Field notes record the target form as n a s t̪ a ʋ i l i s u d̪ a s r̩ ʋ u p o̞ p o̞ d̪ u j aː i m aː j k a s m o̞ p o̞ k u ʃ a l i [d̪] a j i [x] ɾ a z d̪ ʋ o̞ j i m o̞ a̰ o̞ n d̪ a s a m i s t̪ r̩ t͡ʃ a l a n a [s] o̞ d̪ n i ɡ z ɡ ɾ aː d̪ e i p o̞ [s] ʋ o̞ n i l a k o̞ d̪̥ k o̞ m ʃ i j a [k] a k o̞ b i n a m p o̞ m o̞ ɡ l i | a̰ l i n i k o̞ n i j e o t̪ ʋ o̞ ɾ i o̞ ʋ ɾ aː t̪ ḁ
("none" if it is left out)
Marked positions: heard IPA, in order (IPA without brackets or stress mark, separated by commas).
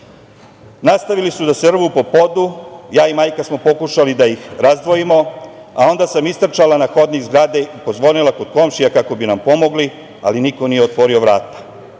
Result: d̪, x, x, z, k